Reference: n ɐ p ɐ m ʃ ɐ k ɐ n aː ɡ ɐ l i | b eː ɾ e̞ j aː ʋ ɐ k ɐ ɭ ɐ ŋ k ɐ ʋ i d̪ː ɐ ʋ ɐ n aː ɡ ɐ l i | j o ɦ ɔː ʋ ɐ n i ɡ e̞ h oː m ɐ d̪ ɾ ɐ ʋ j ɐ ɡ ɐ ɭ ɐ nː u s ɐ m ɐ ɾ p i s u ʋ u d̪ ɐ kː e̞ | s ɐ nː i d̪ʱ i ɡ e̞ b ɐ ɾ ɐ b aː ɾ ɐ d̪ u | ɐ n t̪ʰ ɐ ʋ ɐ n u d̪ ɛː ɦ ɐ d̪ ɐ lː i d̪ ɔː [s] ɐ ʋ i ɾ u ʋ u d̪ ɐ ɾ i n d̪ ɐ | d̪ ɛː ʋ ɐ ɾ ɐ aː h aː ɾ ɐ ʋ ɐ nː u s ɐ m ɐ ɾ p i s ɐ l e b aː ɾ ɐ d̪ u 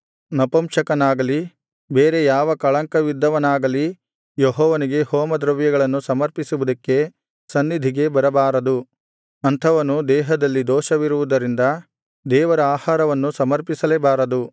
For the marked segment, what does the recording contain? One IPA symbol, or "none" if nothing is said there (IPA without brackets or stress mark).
ʃ